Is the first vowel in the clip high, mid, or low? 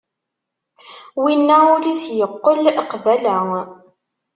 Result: high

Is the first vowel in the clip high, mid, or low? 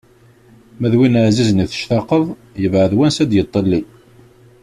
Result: low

